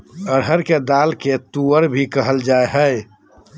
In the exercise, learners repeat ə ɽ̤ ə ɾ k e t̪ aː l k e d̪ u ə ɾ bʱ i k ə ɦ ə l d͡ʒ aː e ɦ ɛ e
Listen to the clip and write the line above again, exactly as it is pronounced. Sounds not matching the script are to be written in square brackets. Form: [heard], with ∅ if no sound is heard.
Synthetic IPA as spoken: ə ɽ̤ ə ɾ k e [d̪] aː l k e [t̪] u ə ɾ bʱ i k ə ɦ ə l d͡ʒ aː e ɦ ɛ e